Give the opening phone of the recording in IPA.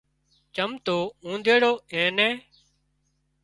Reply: t͡ʃ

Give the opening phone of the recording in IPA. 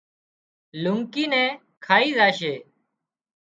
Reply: l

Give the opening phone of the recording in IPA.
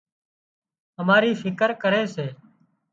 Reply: ə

